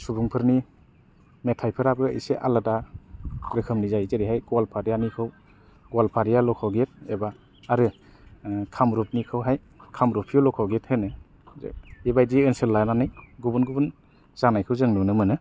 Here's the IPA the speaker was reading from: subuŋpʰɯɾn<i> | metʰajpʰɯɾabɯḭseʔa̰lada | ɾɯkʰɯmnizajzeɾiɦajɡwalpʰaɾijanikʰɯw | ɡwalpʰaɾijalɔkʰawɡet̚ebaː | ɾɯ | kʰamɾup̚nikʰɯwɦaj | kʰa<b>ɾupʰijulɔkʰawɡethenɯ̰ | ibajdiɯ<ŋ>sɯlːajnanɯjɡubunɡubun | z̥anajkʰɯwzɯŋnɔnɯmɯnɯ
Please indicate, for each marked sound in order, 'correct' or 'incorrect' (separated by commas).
correct, incorrect, incorrect